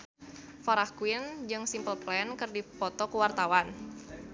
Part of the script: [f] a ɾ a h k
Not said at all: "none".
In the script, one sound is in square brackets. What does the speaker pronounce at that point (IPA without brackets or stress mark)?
f